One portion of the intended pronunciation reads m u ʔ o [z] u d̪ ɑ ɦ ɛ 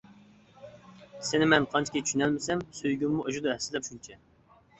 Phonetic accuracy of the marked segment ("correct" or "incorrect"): incorrect